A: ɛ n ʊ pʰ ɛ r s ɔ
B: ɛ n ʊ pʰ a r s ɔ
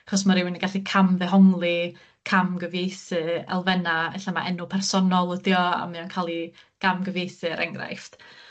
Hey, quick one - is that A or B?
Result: A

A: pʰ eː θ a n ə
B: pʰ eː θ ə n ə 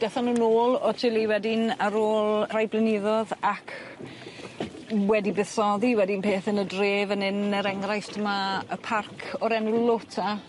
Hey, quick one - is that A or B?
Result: B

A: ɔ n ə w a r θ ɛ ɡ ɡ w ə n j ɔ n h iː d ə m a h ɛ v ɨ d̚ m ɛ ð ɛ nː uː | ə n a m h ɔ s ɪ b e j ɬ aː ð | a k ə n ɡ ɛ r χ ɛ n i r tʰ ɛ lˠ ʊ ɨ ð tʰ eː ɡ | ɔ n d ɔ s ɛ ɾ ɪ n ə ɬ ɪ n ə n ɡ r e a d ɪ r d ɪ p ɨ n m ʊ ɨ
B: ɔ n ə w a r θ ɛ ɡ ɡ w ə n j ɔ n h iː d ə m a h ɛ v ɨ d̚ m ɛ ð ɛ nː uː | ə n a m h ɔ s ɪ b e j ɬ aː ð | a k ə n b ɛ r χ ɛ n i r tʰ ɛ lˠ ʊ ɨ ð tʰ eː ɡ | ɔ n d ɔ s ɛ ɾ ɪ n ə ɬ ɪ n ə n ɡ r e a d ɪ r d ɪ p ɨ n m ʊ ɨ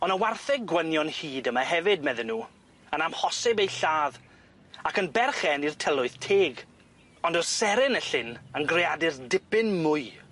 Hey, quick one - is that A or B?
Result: B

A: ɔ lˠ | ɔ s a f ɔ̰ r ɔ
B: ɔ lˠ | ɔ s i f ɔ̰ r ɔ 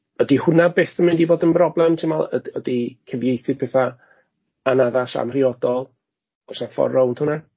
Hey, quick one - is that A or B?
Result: A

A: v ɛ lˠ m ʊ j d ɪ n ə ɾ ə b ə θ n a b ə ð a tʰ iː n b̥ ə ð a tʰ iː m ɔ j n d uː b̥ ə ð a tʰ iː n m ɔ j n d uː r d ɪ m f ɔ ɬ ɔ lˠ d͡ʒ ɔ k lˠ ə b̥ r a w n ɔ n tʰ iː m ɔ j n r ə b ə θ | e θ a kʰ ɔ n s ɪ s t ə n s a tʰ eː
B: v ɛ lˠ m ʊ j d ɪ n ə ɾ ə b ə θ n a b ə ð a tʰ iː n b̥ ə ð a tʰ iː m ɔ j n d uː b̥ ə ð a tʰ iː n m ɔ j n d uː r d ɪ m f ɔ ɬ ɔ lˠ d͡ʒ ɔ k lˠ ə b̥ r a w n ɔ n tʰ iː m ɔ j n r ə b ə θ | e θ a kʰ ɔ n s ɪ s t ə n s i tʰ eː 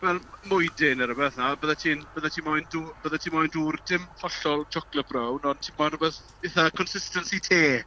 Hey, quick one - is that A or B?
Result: B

